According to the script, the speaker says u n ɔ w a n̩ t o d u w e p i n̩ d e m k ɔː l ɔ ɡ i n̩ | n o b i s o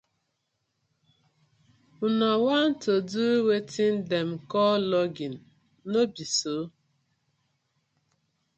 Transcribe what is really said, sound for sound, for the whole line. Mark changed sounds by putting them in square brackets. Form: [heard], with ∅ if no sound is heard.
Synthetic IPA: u n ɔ w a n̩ t o d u w e [t] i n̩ d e m k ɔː l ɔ ɡ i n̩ | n o b i s o